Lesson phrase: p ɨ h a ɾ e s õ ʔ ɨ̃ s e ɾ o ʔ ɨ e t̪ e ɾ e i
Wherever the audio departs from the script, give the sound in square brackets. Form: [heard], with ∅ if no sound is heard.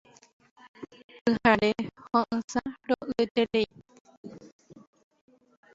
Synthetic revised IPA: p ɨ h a ɾ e [h] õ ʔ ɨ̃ s [a] ɾ o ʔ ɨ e t̪ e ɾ e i